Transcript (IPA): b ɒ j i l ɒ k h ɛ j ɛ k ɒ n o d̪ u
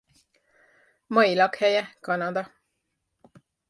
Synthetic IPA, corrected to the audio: m ɒ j i l ɒ k h ɛ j ɛ k ɒ n ɒ d̪ ɒ